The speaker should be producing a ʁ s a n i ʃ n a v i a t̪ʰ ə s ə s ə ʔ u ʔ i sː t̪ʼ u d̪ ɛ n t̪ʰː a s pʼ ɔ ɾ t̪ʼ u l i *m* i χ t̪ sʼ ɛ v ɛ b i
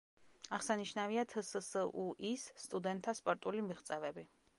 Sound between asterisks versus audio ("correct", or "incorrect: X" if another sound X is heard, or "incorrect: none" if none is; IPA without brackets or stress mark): correct